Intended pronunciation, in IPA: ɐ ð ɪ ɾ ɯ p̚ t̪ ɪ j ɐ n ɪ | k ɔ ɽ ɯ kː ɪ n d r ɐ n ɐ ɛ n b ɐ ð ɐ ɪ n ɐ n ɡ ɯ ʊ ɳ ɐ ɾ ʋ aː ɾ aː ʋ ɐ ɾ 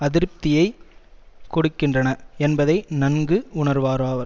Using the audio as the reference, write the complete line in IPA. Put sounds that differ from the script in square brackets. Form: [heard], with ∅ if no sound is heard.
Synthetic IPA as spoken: ɐ ð ɪ ɾ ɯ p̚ t̪ ɪ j ɐ [∅] ɪ | k ɔ ɽ ɯ kː ɪ n d r ɐ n ɐ ɛ n b ɐ ð ɐ ɪ n ɐ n ɡ ɯ ʊ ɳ ɐ ɾ ʋ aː ɾ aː ʋ ɐ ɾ

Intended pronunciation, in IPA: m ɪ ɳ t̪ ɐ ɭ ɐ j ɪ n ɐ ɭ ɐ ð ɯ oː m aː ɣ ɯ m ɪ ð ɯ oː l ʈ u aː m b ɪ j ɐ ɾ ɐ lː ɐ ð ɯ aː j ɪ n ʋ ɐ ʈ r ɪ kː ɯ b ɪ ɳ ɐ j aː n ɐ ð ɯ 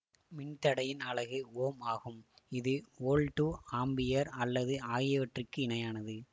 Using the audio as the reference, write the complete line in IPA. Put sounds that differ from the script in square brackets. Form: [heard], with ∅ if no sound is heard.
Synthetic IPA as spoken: m ɪ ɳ t̪ ɐ [ɽ] ɐ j ɪ n ɐ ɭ ɐ [ɣ] ɯ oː m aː ɣ ɯ m ɪ ð ɯ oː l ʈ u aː m b ɪ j ɐ ɾ ɐ lː ɐ ð ɯ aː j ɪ [∅] ʋ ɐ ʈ r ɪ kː ɯ [∅] ɪ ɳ ɐ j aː n ɐ ð ɯ

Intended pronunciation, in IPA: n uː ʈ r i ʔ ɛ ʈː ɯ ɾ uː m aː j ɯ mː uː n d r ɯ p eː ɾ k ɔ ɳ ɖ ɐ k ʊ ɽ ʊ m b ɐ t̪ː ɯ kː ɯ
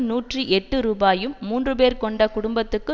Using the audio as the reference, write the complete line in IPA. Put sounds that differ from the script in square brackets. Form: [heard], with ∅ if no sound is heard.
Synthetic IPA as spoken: n uː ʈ r i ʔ ɛ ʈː ɯ ɾ uː [b] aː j ɯ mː uː n d r ɯ p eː ɾ k ɔ ɳ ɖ ɐ k ʊ ɽ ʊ m b ɐ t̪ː ɯ kː ɯ

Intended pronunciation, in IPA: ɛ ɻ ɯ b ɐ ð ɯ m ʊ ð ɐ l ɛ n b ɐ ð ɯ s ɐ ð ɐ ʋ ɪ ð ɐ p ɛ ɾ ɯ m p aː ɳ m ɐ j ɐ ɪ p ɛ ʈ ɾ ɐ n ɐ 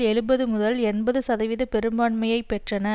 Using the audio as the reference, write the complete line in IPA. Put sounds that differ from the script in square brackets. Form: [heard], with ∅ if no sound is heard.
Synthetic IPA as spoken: ɛ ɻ ɯ b ɐ ð ɯ m ʊ ð ɐ l ɛ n b ɐ ð ɯ s ɐ ð ɐ ʋ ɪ ð ɐ p ɛ ɾ ɯ m [b] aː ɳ m ɐ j ɐ ɪ p ɛ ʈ [r] ɐ n ɐ

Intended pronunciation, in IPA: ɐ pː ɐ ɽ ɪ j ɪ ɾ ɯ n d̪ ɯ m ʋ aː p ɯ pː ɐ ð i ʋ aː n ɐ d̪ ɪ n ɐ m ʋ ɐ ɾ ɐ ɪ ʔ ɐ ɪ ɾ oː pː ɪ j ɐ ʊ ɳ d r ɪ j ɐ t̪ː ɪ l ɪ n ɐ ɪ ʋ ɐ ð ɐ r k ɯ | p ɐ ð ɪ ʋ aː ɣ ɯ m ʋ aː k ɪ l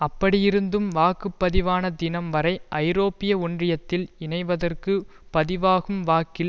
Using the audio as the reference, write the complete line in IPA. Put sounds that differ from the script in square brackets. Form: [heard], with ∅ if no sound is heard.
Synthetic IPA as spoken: ɐ pː ɐ ɽ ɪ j ɪ ɾ ɯ n d̪ ɯ m ʋ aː [k] ɯ pː ɐ ð [ɪ] ʋ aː n ɐ d̪ ɪ n ɐ m ʋ ɐ ɾ ɐ ɪ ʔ ɐ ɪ ɾ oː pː ɪ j ɐ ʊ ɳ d r ɪ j ɐ t̪ː ɪ l ɪ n ɐ ɪ ʋ ɐ ð ɐ r k ɯ | p ɐ ð ɪ ʋ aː ɣ ɯ m ʋ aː k ɪ l

